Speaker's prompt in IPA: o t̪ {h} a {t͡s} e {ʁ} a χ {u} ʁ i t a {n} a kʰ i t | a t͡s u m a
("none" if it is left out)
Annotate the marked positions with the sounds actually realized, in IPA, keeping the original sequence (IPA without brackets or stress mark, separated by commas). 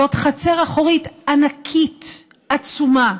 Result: χ, t͡s, ʁ, o, n